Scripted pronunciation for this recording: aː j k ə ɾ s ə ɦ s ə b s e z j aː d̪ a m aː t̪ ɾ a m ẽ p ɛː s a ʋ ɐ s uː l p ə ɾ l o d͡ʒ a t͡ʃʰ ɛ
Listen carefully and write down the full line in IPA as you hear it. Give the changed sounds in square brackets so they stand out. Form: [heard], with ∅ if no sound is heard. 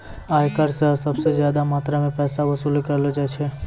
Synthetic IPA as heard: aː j k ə ɾ s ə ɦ s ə b s e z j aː d̪ a m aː t̪ ɾ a m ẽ p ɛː s a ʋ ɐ s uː l [k] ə ɾ l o d͡ʒ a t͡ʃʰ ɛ